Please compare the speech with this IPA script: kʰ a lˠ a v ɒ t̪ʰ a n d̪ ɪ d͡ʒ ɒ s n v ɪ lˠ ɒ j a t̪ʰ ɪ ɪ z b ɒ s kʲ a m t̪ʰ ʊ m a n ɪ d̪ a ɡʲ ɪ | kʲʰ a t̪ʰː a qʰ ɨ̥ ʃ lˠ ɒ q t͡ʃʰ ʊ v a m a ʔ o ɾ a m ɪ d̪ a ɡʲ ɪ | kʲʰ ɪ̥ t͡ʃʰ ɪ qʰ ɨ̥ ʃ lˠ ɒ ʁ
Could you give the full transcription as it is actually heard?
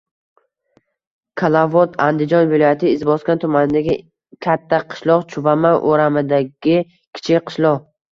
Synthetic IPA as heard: kʰ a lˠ a v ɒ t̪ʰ a n d̪ ɪ d͡ʒ ɒ n v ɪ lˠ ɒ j a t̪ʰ ɪ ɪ z b ɒ s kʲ a n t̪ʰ ʊ m a n ɪ d̪ a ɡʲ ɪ | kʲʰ a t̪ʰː a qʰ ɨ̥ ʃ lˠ ɒ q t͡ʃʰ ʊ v a m a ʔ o ɾ a m ɪ d̪ a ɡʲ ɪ | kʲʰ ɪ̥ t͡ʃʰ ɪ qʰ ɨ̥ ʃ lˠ ɒ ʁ